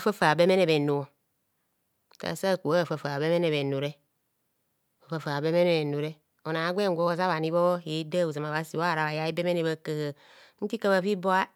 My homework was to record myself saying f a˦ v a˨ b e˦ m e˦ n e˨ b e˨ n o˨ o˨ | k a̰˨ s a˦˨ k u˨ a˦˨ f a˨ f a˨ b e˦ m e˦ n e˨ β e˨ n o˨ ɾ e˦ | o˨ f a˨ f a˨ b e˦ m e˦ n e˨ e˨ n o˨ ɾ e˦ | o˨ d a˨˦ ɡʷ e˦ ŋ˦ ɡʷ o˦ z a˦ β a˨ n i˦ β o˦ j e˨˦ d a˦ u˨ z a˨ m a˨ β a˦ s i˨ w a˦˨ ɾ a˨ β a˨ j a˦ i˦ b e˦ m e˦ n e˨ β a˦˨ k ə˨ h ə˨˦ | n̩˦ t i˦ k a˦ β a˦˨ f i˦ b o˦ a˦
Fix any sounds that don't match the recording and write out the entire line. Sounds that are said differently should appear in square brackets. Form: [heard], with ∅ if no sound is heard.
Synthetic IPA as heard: f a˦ [f] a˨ b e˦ m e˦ n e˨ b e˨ n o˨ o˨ | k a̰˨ s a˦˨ k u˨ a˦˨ f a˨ f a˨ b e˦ m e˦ n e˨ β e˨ n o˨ ɾ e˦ | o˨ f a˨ f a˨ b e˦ m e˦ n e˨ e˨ n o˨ ɾ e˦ | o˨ [n] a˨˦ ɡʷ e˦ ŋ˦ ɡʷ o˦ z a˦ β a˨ n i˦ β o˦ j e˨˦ d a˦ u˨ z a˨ m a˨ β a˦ s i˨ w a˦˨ ɾ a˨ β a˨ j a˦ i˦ b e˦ m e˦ n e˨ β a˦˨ k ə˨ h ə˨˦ | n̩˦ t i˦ k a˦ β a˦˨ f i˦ b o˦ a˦